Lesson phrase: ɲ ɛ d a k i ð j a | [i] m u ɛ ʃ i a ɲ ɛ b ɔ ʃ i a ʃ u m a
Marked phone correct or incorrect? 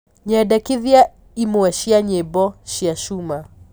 correct